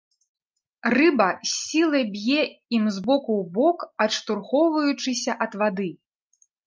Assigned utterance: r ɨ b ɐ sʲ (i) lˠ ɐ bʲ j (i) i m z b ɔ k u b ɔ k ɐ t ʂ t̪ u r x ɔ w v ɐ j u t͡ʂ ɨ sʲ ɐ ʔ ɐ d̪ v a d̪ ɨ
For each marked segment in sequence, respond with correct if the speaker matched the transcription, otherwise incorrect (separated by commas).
correct, incorrect